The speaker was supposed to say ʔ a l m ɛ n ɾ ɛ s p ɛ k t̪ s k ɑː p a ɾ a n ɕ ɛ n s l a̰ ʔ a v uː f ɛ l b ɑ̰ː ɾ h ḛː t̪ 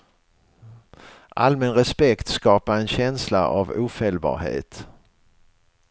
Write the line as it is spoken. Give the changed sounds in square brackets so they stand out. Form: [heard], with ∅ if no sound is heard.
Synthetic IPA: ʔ a l m ɛ n ɾ ɛ s p ɛ k t̪ s k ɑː p a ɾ [ɛ] n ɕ ɛ n s l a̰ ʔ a v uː f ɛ l b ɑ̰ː ɾ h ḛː t̪